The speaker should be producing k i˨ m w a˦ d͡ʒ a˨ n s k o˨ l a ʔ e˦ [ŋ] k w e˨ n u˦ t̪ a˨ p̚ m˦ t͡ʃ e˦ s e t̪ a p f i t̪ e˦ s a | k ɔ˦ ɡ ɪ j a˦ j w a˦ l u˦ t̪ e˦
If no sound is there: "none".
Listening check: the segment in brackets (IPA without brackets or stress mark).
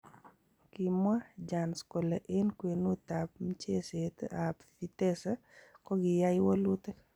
n